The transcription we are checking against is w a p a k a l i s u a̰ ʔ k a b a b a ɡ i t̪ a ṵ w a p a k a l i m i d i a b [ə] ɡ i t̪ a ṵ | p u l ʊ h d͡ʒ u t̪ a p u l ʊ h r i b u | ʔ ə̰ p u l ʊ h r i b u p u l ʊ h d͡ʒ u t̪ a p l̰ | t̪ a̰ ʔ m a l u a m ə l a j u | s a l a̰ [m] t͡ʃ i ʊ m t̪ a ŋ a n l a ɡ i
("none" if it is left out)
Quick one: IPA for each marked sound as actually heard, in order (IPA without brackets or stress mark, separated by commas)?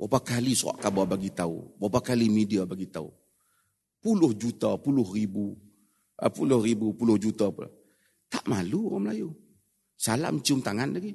a, m